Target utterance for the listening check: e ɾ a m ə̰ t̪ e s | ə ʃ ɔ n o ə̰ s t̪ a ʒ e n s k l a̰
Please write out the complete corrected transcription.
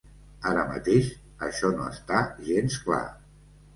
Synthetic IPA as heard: a ɾ ə m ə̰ t̪ e ʃ | ə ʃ ɔ n o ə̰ s t̪ a ʒ e n s k l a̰